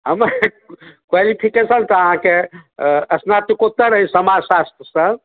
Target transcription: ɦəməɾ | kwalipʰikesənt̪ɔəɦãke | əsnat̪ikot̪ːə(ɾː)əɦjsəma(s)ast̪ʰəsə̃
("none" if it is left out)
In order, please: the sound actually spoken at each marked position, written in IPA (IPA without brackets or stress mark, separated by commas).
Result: ɾ, s